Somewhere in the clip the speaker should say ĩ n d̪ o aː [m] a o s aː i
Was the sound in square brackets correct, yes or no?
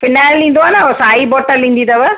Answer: no